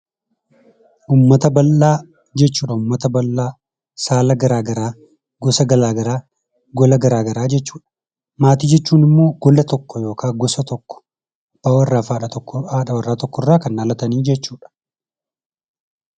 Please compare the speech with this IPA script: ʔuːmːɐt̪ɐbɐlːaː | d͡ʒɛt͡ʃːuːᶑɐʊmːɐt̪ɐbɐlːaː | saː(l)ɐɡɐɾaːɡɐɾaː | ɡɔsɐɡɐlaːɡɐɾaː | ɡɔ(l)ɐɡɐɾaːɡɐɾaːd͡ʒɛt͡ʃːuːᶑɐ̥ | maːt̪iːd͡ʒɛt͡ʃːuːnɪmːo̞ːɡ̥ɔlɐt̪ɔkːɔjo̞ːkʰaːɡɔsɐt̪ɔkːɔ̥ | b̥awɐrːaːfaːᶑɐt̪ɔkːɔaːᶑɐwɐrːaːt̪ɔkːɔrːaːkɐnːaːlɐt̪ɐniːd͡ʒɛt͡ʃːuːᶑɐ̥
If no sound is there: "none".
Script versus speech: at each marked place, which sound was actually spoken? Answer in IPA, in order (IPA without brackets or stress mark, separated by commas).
l, l